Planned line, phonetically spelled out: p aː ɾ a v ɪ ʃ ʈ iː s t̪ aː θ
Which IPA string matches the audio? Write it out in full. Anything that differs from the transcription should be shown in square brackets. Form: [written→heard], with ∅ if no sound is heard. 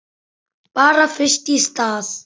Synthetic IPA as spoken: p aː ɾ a [v→f] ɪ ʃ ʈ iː s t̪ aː [θ→s]